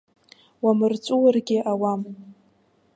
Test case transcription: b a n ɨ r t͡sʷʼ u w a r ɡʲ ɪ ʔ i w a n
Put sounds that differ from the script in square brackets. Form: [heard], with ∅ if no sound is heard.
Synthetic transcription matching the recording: [w] a [m] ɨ r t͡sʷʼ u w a r ɡʲ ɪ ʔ [a] w a [m]